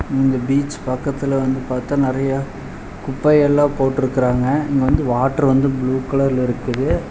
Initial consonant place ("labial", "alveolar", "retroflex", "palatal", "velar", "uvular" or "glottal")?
alveolar